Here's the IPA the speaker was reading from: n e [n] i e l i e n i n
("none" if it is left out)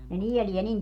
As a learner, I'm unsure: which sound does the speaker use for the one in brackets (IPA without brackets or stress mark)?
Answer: n